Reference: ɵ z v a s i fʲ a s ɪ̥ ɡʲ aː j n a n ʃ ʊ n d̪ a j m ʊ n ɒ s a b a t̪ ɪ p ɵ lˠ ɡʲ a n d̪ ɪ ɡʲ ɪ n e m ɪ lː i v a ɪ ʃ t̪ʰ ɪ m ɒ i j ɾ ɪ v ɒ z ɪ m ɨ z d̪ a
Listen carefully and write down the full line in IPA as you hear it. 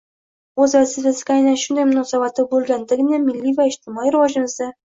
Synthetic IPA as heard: ɵ z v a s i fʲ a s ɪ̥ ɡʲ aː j n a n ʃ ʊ n d̪ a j m ʊ n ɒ s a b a t̪ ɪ b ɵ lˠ ɡʲ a n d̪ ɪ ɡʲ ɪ n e m ɪ lː i v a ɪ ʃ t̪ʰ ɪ m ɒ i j ɾ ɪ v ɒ ʒ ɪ m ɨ z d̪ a